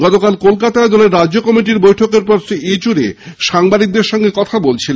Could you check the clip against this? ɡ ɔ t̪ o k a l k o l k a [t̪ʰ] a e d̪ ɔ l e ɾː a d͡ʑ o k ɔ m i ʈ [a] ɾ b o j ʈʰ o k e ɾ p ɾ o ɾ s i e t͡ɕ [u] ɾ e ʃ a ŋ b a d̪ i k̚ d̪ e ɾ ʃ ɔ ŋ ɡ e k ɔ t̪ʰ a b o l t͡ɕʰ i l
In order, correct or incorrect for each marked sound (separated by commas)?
incorrect, incorrect, correct